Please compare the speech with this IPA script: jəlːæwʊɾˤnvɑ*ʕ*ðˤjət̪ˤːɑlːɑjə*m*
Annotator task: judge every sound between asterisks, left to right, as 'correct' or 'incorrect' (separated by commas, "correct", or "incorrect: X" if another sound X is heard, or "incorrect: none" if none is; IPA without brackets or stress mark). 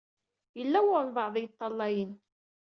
correct, incorrect: n